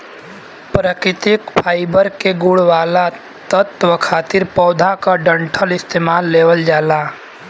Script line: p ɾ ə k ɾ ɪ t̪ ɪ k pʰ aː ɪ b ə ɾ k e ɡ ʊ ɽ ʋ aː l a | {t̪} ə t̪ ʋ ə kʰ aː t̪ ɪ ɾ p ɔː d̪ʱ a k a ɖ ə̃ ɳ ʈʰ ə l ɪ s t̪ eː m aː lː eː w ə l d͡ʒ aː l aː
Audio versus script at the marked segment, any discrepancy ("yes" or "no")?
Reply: no